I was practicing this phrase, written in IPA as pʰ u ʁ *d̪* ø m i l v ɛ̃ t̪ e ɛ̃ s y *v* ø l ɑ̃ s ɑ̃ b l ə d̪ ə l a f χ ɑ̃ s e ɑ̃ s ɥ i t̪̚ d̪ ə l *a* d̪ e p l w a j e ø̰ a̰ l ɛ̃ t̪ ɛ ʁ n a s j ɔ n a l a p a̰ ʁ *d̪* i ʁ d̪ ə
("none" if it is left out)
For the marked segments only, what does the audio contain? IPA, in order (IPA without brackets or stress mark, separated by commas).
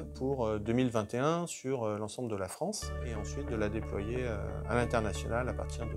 d̪, ʁ, a, t̪